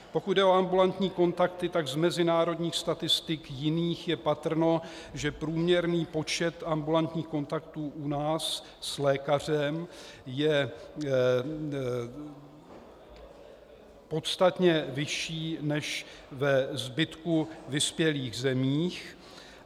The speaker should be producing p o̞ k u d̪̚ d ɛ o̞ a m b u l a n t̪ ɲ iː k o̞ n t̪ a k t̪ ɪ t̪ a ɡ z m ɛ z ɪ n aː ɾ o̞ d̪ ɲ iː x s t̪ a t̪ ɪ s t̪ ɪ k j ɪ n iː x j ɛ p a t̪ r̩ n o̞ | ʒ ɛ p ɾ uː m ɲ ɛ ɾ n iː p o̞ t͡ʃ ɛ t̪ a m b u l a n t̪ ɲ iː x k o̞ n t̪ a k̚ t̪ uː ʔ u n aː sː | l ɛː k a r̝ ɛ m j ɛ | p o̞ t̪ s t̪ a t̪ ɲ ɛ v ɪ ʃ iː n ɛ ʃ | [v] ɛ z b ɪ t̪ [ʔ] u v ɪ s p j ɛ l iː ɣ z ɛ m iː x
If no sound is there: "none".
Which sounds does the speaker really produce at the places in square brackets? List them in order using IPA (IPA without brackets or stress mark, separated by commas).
v, k